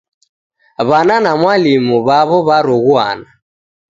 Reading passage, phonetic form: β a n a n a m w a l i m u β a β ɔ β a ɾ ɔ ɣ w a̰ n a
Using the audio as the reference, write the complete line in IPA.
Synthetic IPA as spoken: β a n a n a m w a l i m u β a β ɔ β a ɾ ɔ ɣ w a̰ n a